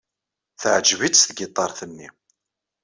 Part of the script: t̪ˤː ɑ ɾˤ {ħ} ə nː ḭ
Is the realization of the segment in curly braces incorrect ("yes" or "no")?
yes